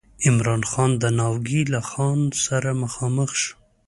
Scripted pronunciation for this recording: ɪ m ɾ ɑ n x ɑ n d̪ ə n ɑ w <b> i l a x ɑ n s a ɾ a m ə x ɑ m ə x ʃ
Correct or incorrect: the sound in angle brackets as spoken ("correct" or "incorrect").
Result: incorrect